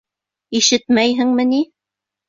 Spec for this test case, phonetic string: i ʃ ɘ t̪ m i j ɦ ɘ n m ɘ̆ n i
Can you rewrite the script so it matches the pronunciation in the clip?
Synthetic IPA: i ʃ ɘ t̪ m æ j ɦ ɘ ŋ m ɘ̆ n i

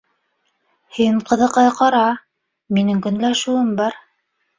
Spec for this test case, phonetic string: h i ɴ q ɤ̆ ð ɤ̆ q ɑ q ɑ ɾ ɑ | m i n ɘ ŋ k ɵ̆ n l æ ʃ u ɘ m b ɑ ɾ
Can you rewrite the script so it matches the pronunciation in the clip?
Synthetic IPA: h i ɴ q ɤ̆ ð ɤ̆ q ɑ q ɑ ɾ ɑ | m i n ɘ ŋ k ɵ̆ n l æ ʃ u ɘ m b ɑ ɾ

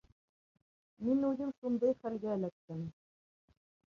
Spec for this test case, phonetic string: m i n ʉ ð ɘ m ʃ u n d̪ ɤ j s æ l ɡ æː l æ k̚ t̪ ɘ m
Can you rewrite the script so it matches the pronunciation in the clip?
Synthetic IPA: m i n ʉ ð ɘ m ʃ u n d̪ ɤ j χ æ l ɡ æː l æ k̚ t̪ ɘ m

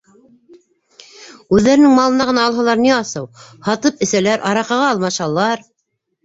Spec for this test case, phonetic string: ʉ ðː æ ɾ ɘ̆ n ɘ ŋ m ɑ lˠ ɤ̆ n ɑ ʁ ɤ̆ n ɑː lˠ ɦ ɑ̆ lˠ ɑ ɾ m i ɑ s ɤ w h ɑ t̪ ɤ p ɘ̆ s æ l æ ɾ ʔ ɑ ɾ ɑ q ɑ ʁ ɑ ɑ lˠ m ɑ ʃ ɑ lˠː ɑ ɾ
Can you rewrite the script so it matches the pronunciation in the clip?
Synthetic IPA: ʉ ðː æ ɾ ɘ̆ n ɘ ŋ m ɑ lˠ ɤ̆ n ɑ ʁ ɤ̆ n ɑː lˠ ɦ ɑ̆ lˠ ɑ ɾ n i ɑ s ɤ w h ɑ t̪ ɤ p ɘ̆ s æ l æ ɾ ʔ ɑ ɾ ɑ q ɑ ʁ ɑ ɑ lˠ m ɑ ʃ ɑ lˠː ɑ ɾ

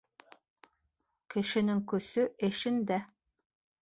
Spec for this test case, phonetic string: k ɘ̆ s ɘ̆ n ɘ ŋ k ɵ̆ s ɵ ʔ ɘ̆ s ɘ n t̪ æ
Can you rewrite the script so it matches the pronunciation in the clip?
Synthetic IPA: k ɘ̆ ʃ ɘ̆ n ɘ ŋ k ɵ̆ s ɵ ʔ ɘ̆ ʃ ɘ n d̪ æ

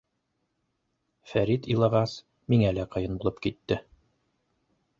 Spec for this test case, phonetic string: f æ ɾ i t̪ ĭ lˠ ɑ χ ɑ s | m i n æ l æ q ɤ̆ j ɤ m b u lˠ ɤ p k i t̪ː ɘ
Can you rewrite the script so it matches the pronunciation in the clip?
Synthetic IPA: f æ ɾ i t̪ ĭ lˠ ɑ ʁ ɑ s | m i ŋ æ l æ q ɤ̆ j ɤ n b u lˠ ɤ p k i t̪ː ɘ

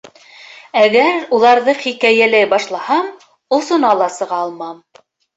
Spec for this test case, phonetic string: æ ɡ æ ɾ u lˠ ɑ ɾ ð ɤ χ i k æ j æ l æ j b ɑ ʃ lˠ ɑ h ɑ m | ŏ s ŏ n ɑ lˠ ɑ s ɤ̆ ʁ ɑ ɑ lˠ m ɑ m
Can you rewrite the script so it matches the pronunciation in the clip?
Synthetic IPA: æ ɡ æ ɾ u lˠ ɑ ɾ ð ɤ χ i k æ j æ l æ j b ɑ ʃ lˠ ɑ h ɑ m | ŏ s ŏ n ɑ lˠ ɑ s ɤ̆ ʁ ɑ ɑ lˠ m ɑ m

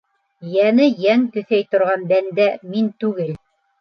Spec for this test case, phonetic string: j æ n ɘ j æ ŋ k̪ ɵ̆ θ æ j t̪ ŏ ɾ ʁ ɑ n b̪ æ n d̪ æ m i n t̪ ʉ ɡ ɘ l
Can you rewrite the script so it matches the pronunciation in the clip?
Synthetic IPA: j æ n ɘ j æ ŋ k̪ ɵ̆ θ æ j t̪ ŏ ɾ ʁ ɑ n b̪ æ n d̪ æ m i n t̪ ʉ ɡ ɘ l

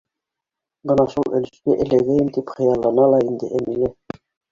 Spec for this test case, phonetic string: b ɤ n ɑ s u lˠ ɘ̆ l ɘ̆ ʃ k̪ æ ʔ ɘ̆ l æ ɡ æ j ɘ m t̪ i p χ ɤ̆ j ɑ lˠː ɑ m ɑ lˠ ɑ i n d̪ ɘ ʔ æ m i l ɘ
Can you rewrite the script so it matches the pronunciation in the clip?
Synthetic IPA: b ɤ n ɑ ʃ u lˠ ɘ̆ l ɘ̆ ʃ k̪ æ ʔ ɘ̆ l æ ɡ æ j ɘ m t̪ i p χ ɤ̆ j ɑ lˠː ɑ n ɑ lˠ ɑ i n d̪ ɘ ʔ æ m i l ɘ

